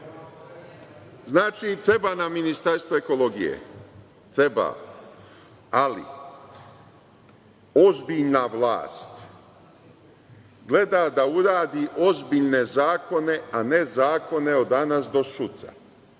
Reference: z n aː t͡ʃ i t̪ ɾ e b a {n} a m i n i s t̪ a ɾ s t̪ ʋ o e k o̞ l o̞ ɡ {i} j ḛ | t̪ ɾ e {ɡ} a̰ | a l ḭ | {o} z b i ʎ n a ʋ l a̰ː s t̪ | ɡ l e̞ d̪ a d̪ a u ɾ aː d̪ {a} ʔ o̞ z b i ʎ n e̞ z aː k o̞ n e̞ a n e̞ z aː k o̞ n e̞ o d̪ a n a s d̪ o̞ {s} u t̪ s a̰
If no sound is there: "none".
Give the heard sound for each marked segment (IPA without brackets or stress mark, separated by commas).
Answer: n, i, b, o, i, s